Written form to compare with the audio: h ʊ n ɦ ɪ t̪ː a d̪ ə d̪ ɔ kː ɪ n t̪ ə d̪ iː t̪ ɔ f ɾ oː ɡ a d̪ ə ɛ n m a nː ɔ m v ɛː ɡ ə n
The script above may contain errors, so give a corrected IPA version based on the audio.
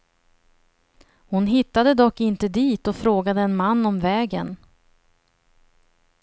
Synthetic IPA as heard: h ʊ n ɦ ɪ t̪ː a d̪ ə d̪ ɔ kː ɪ n t̪ ə d̪ iː t̪ ɔ f ɾ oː ɡ a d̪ ə ɛ n m a nː ɔ m v ɛː ɡ ə n